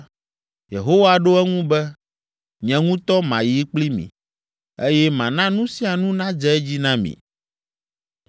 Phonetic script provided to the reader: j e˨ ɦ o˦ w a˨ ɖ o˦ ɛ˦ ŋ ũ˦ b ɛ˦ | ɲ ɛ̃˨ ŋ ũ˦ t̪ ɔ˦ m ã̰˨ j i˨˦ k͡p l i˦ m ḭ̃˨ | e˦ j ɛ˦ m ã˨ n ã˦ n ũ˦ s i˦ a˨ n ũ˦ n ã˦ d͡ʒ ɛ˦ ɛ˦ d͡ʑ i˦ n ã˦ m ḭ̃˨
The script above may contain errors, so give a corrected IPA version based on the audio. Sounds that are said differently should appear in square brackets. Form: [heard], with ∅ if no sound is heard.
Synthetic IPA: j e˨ ɦ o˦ w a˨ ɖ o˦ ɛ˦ ŋ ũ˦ b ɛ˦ | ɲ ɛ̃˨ ŋ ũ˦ t̪ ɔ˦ m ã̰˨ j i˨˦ k͡p l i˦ m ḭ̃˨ | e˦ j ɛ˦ m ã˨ n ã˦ n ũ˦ s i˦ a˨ n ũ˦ n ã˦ d͡ʒ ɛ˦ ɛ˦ d͡ʑ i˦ n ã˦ m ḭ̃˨